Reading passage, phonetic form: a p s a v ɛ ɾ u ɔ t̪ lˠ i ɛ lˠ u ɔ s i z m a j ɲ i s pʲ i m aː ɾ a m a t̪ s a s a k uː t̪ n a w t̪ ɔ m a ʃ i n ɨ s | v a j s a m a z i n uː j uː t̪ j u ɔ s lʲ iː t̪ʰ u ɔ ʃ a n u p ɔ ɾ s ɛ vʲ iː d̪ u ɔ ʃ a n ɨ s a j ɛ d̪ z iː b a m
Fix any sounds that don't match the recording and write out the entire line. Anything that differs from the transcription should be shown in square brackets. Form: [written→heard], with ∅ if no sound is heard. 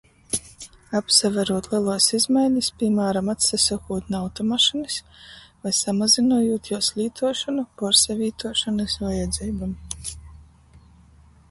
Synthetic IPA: a p s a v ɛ ɾ u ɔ t̪ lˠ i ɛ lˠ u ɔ s i z m a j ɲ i s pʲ i m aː ɾ a m a t̪ s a s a k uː t̪ n a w t̪ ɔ m a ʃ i n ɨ s | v a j s a m a z i n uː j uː t̪ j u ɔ s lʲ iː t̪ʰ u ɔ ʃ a n u p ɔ ɾ s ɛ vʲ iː [d̪→t̪] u ɔ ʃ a n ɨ s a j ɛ d̪ z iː b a m